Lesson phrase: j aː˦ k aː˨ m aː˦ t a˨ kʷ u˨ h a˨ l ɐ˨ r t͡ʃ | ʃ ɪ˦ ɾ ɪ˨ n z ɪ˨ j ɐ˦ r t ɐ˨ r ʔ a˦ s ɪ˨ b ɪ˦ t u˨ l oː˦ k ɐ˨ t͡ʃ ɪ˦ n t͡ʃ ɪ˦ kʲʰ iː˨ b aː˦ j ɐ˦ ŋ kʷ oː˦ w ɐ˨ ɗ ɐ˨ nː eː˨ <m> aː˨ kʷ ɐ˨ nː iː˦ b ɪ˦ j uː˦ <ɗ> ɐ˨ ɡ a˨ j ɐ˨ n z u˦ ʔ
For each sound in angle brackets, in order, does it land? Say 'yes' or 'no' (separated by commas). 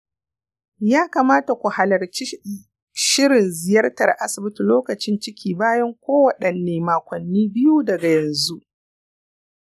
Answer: yes, no